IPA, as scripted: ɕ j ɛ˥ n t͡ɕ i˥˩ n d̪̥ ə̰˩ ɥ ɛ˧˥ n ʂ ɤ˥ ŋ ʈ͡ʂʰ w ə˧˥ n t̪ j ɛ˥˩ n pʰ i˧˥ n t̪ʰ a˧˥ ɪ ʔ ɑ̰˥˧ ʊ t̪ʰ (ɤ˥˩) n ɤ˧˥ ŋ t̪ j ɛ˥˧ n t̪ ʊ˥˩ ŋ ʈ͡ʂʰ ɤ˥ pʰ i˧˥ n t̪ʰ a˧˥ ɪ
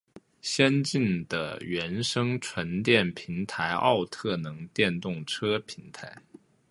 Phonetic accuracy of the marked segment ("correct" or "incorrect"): correct